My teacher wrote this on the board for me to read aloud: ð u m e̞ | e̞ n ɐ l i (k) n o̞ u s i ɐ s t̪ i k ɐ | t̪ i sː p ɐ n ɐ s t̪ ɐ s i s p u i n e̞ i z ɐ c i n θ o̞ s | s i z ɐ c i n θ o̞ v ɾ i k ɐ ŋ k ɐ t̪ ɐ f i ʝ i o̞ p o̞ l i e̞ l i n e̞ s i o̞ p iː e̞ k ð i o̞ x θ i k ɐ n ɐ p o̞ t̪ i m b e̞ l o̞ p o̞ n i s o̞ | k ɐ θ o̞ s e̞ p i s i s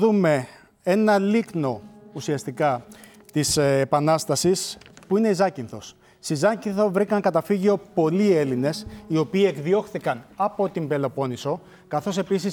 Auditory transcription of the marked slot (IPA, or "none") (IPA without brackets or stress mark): k